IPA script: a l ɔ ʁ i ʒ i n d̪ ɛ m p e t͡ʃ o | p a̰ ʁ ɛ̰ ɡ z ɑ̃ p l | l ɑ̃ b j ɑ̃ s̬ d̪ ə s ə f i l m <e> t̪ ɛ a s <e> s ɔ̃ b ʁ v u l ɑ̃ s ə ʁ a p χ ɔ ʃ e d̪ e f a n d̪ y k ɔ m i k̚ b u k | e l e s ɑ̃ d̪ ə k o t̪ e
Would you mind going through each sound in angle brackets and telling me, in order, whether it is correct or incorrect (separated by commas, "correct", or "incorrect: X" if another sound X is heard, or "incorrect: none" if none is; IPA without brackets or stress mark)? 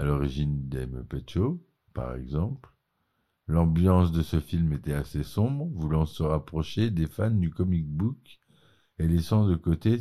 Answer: correct, correct